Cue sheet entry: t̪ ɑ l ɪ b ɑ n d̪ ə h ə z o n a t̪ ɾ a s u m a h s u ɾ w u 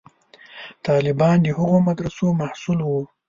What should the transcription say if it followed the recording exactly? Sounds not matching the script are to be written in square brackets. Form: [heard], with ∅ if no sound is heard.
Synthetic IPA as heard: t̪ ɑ l ɪ b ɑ n d̪ ə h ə [ɣ] o [m] a [d̪] ɾ a s [o] m a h s u [l] w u

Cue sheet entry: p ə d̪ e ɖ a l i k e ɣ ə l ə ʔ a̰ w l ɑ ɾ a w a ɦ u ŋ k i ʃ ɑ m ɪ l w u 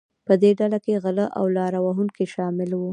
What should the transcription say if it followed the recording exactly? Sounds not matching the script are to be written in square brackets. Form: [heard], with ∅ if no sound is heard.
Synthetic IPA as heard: p ə d̪ e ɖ a l [a] k e ɣ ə l ə ʔ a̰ w l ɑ ɾ a w a ɦ u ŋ k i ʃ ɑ m ɪ l w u

